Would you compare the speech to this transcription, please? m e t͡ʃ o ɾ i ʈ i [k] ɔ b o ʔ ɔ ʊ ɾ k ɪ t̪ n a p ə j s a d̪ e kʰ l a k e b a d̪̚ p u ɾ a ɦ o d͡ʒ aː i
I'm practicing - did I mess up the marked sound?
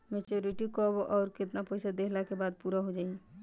no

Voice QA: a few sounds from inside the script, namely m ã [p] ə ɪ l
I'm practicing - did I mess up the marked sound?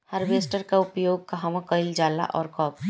yes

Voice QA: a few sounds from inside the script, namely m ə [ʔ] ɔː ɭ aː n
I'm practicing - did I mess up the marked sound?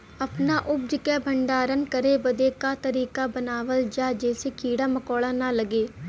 yes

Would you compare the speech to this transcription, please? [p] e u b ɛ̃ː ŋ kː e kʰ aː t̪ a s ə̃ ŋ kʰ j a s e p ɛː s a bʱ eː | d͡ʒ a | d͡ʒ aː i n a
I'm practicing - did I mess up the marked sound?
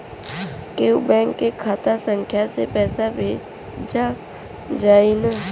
yes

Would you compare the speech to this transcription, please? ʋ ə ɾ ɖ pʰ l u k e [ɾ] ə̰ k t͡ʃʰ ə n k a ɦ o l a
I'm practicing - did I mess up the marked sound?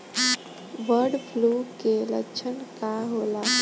yes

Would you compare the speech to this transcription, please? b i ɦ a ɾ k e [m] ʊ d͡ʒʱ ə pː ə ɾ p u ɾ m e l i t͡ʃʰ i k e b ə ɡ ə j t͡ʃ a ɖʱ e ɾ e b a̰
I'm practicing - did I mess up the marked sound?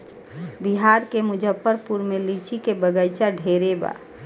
no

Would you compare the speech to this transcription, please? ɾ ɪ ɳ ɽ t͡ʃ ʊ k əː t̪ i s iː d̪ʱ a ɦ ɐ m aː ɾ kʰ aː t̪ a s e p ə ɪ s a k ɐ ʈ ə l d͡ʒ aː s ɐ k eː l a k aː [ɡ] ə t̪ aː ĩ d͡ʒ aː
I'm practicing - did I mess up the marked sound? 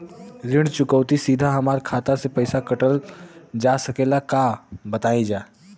yes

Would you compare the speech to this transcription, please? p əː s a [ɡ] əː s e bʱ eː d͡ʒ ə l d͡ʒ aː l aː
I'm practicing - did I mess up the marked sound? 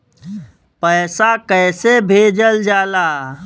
yes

